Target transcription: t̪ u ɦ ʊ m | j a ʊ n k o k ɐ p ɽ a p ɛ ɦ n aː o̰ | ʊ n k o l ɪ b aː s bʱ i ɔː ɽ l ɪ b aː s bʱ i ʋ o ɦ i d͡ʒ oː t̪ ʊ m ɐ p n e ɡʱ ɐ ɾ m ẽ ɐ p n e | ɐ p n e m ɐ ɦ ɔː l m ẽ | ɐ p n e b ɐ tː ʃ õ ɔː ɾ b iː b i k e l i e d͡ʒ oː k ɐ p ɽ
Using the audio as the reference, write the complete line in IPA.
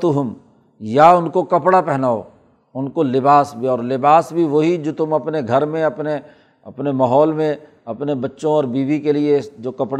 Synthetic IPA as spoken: t̪ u ɦ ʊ m | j a ʊ n k o k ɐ p ɽ a p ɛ ɦ n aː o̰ | ʊ n k o l ɪ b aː s bʱ i ɔː ɾ l ɪ b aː s bʱ i ʋ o ɦ i d͡ʒ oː t̪ ʊ m ɐ p n e ɡʱ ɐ ɾ m ẽ ɐ p n e | ɐ p n e m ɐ ɦ ɔː l m ẽ | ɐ p n e b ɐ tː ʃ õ ɔː ɾ b iː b i k e l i e d͡ʒ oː k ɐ p ɽ